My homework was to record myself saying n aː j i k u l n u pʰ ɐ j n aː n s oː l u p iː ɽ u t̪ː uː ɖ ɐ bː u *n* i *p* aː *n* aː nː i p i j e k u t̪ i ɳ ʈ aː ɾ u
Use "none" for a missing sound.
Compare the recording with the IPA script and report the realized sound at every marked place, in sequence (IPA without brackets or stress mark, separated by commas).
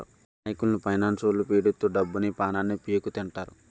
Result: n, p, n